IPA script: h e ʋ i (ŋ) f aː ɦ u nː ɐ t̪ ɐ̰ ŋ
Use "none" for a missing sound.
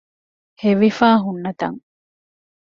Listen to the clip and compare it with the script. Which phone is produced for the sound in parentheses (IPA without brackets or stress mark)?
none